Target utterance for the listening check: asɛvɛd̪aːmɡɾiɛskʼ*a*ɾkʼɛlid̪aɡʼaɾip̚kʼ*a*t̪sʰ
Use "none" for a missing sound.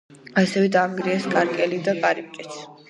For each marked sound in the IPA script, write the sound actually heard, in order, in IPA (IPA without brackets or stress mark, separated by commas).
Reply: a, ɛ